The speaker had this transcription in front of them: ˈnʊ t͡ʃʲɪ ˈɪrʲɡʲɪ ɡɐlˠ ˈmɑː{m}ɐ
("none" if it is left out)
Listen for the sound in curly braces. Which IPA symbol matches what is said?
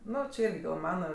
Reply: n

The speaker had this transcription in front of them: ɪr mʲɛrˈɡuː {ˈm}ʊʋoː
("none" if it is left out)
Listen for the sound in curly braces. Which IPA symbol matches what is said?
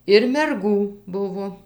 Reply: b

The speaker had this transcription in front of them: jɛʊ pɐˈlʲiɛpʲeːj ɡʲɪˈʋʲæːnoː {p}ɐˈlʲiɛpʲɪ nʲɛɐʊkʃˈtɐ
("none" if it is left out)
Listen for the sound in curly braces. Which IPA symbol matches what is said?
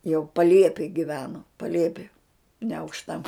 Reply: p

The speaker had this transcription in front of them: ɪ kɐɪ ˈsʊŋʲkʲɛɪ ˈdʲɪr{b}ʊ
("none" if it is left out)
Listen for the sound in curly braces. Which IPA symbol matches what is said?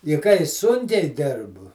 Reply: b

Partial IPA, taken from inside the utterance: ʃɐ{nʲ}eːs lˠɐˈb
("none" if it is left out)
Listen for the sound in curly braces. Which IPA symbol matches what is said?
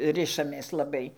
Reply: mʲ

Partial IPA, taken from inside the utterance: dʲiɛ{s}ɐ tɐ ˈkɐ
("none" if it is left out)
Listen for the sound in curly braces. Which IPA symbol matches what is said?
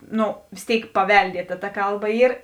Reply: t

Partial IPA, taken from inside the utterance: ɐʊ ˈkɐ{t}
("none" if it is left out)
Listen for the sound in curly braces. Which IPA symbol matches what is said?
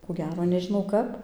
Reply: p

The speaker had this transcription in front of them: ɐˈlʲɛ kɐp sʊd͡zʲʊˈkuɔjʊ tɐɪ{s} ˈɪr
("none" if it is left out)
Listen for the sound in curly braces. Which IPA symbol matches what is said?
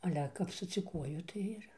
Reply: none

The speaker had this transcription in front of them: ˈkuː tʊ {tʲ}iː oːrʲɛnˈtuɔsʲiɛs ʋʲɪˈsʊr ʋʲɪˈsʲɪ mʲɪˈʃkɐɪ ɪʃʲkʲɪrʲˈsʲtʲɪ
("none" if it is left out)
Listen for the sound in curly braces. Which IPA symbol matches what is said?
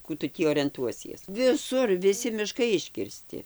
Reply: tʲ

